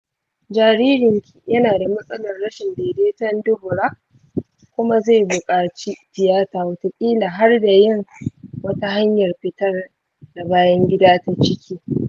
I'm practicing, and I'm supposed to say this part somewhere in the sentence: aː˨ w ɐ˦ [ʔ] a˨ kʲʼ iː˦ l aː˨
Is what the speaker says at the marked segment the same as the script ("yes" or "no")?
no